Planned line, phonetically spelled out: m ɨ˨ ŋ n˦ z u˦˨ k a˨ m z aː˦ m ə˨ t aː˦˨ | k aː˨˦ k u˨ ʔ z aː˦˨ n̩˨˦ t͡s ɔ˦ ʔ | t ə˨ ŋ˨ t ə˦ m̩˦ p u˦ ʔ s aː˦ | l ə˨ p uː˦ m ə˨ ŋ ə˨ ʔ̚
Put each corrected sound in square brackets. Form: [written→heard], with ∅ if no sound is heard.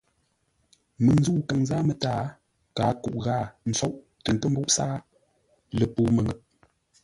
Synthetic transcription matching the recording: m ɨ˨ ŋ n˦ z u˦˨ k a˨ [m→ŋ] z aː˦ m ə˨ t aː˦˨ | k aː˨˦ k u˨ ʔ [z→ɣ] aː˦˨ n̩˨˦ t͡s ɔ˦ ʔ | t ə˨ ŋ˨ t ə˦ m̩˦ [p→b] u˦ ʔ s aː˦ | l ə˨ p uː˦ m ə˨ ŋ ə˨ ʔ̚